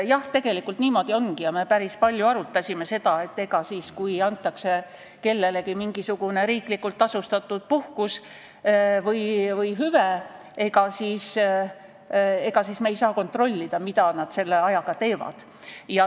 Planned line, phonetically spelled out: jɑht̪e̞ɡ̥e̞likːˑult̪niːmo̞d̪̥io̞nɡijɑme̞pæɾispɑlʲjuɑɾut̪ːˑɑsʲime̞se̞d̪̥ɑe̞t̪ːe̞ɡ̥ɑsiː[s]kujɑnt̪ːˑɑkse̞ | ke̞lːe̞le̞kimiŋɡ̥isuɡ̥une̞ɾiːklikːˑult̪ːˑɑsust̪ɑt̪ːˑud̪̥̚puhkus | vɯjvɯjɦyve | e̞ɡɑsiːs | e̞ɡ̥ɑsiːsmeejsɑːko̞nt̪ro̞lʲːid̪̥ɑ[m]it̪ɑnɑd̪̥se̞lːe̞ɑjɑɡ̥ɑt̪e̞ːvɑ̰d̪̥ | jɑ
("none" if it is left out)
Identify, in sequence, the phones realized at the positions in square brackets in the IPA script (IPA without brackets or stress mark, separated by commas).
s, m